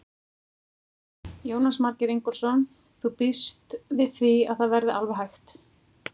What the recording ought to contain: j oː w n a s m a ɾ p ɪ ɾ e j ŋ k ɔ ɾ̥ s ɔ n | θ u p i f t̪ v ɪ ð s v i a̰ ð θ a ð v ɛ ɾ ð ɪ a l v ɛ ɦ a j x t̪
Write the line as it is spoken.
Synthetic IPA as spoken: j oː w n a s m a ɾ c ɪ ɾ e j ŋ k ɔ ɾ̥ s ɔ n | θ u p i s t̪ v ɪ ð θ v i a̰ ð θ a ð v ɛ ɾ ð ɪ a l v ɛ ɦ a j x t̪